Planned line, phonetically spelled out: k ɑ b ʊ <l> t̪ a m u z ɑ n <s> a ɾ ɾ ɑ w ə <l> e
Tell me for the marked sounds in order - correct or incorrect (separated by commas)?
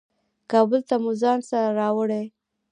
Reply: correct, correct, incorrect